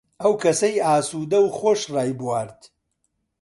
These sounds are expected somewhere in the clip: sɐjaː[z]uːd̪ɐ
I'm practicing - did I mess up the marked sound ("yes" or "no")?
yes